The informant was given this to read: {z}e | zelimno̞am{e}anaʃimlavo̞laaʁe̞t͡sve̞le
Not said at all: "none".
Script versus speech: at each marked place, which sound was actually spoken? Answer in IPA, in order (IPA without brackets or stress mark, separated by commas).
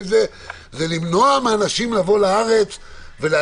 z, e